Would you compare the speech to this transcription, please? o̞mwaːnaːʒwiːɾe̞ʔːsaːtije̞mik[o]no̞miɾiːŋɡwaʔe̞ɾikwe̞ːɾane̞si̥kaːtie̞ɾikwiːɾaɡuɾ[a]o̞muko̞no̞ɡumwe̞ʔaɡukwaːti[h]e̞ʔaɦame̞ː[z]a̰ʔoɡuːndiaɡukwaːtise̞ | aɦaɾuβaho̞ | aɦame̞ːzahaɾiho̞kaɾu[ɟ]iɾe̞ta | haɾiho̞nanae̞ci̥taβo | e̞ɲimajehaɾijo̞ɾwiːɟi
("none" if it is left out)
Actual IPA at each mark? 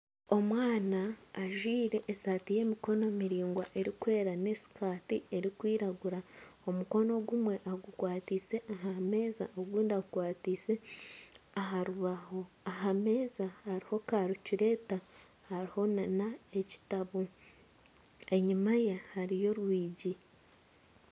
o, a, s, z, c

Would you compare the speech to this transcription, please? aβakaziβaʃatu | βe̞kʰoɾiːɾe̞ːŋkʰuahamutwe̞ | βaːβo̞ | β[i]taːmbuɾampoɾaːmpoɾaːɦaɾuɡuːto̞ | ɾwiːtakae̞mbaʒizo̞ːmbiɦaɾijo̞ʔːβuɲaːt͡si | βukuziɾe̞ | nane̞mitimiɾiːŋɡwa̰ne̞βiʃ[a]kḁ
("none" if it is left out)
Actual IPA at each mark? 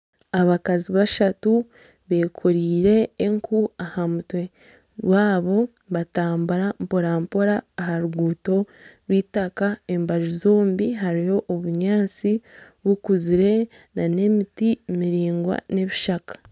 a, a

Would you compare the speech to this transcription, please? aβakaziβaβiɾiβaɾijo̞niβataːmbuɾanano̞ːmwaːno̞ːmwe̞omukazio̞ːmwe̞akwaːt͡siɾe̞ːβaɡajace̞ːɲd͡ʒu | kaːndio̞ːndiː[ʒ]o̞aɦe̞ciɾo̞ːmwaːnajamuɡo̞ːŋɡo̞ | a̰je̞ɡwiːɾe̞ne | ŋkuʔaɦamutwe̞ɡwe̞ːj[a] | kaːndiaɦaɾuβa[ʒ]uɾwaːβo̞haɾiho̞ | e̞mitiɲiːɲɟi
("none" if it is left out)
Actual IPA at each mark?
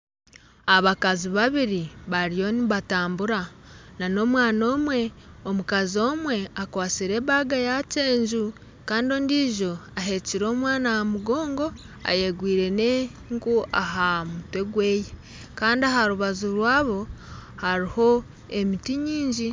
ʒ, e, z

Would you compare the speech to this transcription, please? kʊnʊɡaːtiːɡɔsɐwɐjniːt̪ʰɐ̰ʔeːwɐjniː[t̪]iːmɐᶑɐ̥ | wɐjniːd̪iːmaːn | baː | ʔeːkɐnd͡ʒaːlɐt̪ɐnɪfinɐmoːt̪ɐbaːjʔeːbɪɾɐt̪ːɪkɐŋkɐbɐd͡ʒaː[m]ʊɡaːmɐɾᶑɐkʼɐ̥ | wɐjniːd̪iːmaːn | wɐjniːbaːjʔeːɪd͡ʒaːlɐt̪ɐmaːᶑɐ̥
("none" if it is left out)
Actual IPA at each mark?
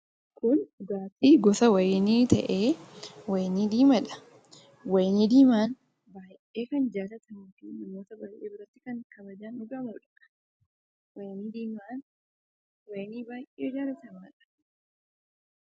d̪, n

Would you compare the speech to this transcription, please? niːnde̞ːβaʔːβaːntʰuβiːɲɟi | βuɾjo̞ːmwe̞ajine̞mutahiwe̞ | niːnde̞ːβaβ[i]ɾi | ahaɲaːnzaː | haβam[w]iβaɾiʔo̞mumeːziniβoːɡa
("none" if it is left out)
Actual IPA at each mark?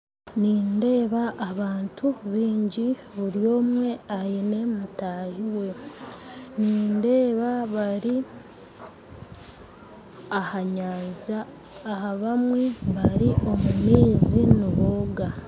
a, w

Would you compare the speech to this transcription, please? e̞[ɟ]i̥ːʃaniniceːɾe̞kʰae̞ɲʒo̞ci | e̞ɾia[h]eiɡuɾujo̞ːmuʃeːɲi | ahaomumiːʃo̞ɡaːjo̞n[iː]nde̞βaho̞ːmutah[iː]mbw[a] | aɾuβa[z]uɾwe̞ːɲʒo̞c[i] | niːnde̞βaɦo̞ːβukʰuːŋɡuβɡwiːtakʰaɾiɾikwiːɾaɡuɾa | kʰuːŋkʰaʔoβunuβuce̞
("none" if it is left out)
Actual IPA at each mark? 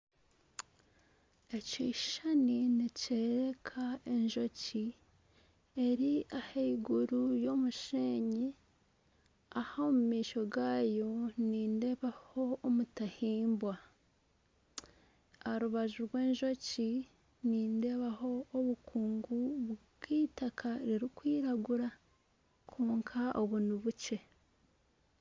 c, h, iː, iː, a, ʒ, i

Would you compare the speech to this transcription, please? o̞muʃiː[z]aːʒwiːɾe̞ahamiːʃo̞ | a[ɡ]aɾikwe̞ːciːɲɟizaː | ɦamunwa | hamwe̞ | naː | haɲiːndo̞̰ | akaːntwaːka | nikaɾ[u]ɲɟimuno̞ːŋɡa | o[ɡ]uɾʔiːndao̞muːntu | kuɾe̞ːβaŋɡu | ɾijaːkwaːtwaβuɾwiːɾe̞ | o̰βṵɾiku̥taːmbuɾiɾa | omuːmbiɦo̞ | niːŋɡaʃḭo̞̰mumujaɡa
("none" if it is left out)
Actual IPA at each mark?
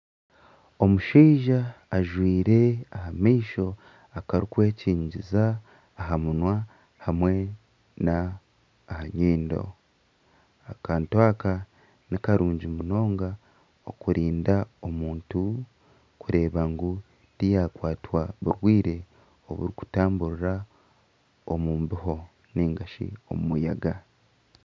ʒ, k, uː, k

